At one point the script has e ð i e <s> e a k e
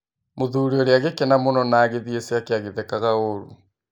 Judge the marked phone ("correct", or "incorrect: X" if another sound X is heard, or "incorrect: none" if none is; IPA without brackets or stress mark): correct